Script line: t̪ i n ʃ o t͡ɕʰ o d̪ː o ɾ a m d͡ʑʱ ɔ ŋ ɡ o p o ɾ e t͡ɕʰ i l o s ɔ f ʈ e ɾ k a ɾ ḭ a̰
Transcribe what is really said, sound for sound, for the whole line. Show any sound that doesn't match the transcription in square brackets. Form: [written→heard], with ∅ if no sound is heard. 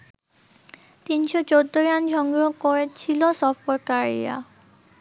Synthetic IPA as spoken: t̪ i n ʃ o [t͡ɕʰ→t͡ɕ] o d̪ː o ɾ a [m→n] d͡ʑʱ ɔ ŋ ɡ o [p→k] o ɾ e t͡ɕʰ i l o s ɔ f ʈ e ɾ k a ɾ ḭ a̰